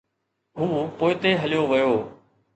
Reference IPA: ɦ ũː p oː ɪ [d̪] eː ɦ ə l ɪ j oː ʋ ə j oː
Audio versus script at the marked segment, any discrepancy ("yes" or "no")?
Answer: yes